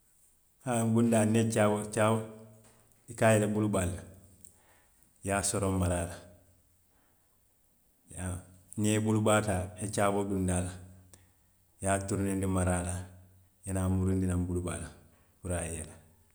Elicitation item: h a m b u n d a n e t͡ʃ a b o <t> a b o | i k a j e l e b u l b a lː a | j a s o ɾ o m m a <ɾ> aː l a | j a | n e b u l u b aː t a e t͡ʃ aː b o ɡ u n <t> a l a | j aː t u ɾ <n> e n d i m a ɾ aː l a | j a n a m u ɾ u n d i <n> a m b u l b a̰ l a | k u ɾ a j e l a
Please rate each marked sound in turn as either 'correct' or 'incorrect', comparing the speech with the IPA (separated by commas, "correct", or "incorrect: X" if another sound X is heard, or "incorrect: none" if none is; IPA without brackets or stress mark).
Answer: incorrect: t͡ʃ, correct, incorrect: d, correct, correct